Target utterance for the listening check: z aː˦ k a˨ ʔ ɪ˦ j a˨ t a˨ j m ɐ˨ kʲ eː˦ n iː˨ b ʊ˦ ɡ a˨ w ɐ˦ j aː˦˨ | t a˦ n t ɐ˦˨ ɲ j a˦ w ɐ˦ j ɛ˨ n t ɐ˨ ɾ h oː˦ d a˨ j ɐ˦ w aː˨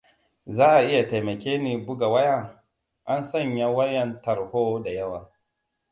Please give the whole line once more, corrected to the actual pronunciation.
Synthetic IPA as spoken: z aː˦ ʔ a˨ ʔ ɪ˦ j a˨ t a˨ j m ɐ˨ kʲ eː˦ n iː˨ b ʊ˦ ɡ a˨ w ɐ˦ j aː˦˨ | ʔ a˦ n s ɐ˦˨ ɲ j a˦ w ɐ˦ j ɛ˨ n t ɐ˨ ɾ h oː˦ d a˨ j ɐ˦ w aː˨